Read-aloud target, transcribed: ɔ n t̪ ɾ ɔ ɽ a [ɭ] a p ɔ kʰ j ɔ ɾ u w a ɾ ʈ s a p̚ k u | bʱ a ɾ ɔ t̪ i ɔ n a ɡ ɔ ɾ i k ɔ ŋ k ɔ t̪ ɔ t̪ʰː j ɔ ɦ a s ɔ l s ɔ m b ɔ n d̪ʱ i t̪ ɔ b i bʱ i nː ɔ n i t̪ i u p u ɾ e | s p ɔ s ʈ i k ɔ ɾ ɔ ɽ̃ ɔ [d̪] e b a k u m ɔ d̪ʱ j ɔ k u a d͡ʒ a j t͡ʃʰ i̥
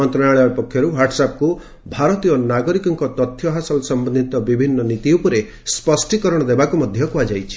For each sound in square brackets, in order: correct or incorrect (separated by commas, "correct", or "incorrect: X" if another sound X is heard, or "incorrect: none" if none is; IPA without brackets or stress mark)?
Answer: correct, correct